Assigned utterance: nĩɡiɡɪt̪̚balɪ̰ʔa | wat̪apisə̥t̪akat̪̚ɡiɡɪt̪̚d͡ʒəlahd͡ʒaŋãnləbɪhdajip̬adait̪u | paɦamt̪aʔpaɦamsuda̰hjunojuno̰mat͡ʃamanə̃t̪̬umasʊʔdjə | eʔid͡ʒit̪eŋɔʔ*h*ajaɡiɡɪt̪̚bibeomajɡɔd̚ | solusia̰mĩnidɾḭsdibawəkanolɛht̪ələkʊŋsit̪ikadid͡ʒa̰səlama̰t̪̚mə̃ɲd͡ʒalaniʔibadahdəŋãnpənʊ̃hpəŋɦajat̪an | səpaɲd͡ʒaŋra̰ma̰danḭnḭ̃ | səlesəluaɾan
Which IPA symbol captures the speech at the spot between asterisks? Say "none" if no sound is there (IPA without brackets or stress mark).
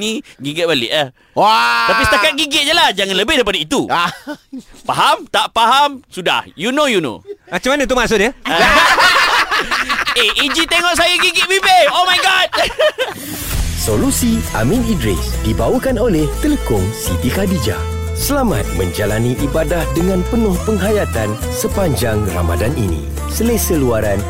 s